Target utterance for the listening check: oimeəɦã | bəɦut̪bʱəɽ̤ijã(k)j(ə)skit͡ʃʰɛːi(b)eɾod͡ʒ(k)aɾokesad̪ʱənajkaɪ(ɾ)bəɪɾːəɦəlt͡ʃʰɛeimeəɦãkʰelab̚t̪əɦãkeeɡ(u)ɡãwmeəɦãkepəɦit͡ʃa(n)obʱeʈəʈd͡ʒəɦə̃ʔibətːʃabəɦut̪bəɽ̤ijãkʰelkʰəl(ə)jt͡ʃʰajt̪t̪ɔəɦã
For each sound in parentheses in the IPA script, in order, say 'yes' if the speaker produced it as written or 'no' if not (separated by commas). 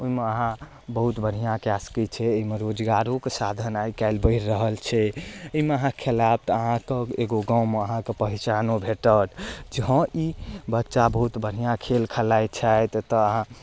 yes, no, no, no, no, no, yes, no